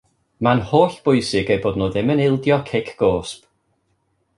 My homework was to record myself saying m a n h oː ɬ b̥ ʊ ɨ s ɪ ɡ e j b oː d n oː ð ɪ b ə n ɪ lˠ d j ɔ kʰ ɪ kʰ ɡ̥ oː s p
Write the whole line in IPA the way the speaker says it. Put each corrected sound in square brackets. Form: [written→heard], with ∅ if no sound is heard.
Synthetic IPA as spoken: m a n h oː ɬ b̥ ʊ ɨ s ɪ ɡ e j b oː d n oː ð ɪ [b→m] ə n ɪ lˠ d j ɔ kʰ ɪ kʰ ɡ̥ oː s p